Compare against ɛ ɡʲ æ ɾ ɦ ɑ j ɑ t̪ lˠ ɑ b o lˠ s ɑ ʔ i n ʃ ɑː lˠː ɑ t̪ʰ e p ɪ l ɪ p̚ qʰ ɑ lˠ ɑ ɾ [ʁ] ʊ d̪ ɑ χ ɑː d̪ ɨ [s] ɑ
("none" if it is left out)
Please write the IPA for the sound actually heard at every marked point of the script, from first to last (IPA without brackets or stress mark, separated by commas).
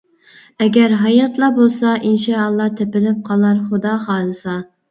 χ, s